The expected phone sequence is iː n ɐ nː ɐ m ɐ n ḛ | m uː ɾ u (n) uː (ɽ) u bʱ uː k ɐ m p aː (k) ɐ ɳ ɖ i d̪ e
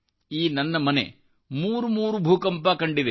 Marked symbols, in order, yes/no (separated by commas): no, no, yes